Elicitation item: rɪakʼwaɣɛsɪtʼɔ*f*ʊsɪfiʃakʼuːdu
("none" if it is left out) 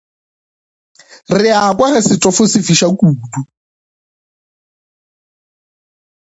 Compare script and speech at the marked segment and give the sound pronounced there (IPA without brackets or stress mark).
f